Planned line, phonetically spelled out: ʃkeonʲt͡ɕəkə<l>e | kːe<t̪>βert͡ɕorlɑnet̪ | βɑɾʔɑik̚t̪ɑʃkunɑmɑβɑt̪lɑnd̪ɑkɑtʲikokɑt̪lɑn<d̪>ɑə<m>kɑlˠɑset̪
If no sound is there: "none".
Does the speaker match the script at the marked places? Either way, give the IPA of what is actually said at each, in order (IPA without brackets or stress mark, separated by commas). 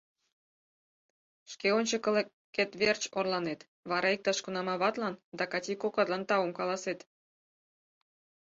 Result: l, t̪, t̪, m